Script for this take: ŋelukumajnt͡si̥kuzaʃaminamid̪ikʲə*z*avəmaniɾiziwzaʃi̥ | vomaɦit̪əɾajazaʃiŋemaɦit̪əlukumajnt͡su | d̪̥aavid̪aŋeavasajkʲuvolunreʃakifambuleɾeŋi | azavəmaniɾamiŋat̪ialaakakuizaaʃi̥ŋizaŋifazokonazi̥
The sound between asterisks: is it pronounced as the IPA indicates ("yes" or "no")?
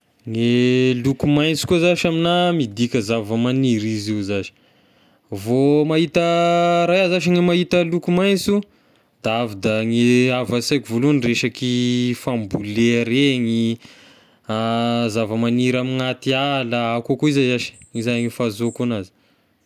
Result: yes